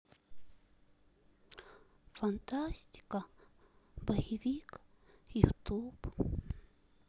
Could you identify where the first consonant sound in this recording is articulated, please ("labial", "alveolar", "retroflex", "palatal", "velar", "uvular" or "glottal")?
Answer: labial